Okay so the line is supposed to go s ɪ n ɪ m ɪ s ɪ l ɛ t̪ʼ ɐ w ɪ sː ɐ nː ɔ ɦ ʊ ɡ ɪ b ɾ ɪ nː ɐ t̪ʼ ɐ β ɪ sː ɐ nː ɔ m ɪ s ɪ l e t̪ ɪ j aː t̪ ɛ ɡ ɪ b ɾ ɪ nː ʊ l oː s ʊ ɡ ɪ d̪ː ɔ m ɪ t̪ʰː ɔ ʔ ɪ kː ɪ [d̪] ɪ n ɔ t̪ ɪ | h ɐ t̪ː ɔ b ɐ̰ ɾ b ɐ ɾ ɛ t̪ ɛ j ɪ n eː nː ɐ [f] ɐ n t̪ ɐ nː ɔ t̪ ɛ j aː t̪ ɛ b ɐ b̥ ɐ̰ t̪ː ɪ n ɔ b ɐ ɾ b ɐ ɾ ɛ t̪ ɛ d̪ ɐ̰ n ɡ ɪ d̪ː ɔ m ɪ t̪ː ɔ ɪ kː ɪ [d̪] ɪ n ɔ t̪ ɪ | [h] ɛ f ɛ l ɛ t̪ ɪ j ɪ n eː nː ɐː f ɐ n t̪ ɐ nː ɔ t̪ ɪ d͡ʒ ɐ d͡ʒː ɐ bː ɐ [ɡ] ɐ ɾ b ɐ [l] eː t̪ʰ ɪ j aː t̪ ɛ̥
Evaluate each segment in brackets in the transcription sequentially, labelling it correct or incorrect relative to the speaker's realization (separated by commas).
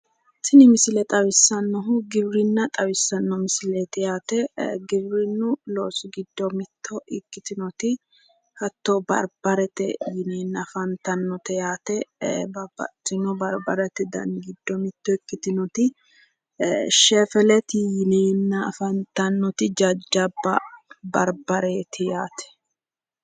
incorrect, correct, incorrect, incorrect, incorrect, incorrect